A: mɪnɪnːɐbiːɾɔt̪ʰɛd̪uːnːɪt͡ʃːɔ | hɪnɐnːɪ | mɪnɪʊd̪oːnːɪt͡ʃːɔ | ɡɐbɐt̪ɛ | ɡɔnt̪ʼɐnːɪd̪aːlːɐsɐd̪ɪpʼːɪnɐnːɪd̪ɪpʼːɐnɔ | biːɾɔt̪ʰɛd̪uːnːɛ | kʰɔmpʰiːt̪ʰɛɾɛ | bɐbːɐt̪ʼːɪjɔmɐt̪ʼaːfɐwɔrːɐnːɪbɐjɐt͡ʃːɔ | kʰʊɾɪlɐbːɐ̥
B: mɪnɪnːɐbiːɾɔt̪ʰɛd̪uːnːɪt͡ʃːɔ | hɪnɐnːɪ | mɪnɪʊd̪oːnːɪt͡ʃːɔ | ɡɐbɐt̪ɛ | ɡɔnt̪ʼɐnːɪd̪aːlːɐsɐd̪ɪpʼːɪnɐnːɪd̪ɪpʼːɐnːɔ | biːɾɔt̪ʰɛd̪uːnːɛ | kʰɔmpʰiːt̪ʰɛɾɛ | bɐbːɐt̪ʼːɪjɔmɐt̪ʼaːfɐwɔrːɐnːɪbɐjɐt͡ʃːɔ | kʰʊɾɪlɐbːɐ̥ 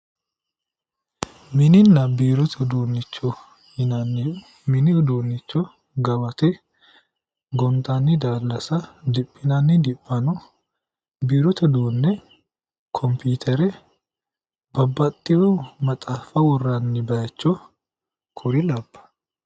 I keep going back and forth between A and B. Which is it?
A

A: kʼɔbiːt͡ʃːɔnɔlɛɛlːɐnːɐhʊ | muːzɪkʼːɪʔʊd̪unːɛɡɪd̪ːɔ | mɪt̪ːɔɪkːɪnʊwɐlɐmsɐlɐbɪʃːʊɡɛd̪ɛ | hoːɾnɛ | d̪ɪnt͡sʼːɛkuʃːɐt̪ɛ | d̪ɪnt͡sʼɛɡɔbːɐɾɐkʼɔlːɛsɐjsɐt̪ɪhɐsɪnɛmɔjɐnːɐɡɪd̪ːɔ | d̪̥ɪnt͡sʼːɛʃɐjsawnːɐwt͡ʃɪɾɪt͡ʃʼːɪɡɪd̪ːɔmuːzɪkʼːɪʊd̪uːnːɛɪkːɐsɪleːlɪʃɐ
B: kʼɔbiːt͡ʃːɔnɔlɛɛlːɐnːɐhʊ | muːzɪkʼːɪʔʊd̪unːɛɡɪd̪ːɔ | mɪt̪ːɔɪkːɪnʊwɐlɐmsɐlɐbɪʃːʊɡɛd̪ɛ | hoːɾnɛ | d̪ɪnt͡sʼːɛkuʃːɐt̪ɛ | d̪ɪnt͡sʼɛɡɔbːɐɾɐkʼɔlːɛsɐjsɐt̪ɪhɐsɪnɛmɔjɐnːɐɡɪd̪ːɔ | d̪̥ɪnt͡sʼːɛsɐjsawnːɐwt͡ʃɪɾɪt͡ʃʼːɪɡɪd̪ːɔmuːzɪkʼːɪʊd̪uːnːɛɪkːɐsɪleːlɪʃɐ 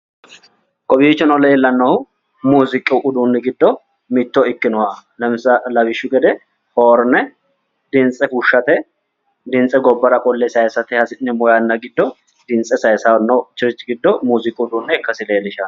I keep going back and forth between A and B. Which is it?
B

